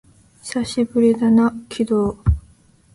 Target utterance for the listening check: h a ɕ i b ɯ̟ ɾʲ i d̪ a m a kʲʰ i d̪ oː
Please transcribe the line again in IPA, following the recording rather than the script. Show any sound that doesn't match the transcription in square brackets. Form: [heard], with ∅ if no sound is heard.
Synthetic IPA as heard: [s] a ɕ i b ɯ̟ ɾʲ i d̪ a [n] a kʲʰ i d̪ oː